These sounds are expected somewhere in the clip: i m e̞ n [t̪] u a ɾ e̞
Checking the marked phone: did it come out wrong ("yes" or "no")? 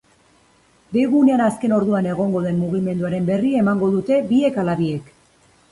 yes